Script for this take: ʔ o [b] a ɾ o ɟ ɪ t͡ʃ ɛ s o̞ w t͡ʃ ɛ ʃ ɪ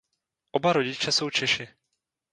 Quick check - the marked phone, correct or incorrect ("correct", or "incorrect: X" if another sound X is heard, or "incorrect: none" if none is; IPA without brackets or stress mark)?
correct